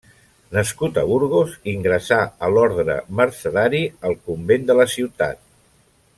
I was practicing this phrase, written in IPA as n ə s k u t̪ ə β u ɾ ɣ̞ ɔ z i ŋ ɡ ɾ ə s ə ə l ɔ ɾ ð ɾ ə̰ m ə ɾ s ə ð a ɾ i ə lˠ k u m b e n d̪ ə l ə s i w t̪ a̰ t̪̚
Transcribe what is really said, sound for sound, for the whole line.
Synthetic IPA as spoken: n ə s k u t̪ ə β u ɾ ɣ̞ o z i ŋ ɡ ɾ ə s a ə l ɔ ɾ ð ɾ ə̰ m ə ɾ s ə ð a ɾ i ə lˠ k u m b e n d̪ ə l ə s i w t̪ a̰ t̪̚